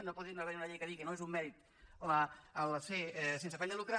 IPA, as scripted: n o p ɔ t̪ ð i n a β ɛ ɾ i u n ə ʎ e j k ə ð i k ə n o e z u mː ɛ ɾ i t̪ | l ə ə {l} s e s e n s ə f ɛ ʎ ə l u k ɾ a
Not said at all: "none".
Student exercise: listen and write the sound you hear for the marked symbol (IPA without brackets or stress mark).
l